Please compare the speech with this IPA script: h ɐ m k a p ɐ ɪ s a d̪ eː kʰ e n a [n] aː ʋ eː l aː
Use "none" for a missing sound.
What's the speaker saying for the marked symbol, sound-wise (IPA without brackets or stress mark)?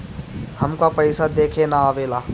none